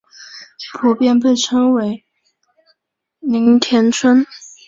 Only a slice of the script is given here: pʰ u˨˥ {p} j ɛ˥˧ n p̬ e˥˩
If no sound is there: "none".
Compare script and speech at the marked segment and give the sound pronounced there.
p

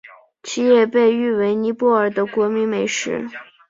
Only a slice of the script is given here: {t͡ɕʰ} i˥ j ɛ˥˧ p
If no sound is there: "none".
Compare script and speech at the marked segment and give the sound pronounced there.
t͡ɕʰ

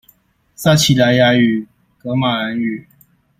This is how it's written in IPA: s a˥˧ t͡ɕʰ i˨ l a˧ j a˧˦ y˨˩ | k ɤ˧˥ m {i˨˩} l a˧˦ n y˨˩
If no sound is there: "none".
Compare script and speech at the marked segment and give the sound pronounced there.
a˨˩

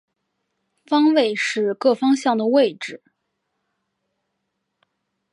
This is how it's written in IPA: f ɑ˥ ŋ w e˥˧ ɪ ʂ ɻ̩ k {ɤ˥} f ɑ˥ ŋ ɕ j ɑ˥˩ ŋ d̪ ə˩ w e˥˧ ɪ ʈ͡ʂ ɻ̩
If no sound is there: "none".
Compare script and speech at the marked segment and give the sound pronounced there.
ɤ˥˩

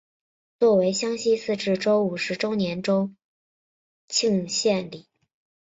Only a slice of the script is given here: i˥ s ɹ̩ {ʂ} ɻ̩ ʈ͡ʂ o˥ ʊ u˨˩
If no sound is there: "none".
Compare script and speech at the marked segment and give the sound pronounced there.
ʈ͡ʂ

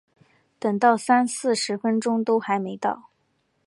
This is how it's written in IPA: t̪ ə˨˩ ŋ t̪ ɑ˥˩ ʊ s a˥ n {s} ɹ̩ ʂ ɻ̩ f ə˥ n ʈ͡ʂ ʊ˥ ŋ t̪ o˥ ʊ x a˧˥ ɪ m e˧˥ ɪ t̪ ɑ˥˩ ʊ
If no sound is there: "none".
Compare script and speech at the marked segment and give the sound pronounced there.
s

